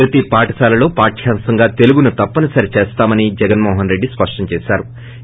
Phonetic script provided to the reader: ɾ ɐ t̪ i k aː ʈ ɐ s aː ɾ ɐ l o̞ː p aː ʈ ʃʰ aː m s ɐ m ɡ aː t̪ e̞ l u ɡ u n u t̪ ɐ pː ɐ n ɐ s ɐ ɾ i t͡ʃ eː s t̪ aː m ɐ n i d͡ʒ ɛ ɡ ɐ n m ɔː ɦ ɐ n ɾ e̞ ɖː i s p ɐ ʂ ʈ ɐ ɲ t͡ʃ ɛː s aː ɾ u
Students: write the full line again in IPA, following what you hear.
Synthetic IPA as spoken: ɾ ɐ t̪ i p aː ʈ ɐ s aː l ɐ l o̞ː p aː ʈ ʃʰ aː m s ɐ ŋ ɡ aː t̪ e̞ l u ɡ u n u t̪ ɐ pː ɐ n ɐ s ɐ ɾ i t͡ʃ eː s t̪ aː m ɐ n i d͡ʒ ɛ ɡ ɐ n m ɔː ɦ ɐ n ɾ e̞ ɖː i s p ɐ ʂ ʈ ɐ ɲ t͡ʃ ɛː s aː ɾ u